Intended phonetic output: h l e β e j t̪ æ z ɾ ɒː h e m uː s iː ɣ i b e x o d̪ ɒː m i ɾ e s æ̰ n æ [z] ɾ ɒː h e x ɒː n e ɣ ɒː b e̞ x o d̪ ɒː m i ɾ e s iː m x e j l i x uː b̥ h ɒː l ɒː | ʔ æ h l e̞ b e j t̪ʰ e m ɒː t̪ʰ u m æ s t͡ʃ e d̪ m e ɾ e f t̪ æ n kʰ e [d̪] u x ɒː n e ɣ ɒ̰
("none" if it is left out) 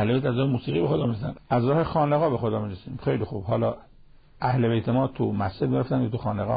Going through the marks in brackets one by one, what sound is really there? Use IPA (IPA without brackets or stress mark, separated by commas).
z, t̪